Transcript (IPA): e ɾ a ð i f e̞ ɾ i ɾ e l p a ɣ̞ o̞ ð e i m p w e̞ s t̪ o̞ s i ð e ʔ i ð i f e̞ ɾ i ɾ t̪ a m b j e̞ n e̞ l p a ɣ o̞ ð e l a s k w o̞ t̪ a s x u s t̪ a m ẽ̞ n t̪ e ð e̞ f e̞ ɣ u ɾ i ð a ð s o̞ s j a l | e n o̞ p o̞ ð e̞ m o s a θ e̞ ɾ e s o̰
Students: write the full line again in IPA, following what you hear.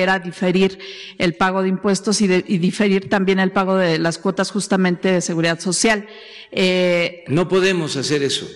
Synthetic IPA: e ɾ a ð i f e̞ ɾ i ɾ e l p a ɣ̞ o̞ ð e i m p w e̞ s t̪ o̞ s i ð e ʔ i ð i f e̞ ɾ i ɾ t̪ a m b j e̞ n e̞ l p a ɣ o̞ ð e l a s k w o̞ t̪ a s x u s t̪ a m ẽ̞ n t̪ e ð e̞ s e̞ ɣ u ɾ i ð a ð s o̞ s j a l | e n o̞ p o̞ ð e̞ m o s a s e̞ ɾ e s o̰